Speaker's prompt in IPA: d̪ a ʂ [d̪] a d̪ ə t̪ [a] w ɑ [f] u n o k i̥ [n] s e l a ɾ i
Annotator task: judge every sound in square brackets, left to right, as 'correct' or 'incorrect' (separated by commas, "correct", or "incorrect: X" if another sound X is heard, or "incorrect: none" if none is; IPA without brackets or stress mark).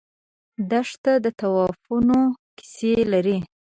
incorrect: t̪, correct, correct, incorrect: none